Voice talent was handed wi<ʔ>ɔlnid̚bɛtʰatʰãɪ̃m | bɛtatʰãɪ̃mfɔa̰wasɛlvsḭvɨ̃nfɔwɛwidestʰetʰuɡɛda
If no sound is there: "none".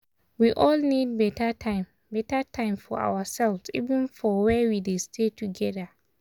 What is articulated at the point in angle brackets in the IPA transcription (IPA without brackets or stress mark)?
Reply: ʔ